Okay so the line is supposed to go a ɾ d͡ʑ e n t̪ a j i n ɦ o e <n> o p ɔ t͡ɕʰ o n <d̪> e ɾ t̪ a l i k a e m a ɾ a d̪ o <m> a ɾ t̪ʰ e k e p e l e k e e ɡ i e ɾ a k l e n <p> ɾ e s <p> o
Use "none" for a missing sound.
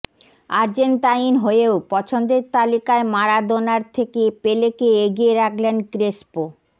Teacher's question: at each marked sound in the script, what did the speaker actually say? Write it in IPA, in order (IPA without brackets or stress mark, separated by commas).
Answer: none, d̪, n, k, p